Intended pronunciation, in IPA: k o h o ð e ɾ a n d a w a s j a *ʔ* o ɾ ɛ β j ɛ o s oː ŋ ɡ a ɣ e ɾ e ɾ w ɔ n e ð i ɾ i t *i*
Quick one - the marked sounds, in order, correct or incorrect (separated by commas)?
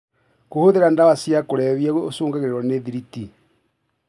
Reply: incorrect, correct